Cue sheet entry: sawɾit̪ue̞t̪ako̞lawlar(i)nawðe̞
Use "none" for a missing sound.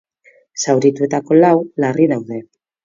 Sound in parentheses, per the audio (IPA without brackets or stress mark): i